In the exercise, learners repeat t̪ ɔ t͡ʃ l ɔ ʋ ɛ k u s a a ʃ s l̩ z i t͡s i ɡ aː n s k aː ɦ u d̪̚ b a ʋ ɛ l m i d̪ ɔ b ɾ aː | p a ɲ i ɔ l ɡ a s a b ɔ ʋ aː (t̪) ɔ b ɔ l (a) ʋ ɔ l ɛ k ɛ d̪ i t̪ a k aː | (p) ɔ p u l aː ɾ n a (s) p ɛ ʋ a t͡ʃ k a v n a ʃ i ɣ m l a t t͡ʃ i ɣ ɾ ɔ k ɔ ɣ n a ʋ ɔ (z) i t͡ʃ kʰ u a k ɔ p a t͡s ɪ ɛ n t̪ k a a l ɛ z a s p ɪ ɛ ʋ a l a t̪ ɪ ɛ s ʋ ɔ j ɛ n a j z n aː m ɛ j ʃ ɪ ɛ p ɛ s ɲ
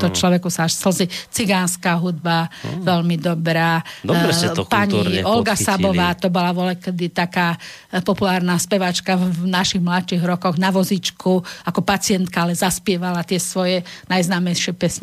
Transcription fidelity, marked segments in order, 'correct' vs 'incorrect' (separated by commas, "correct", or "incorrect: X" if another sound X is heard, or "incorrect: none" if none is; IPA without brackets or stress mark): correct, correct, correct, correct, correct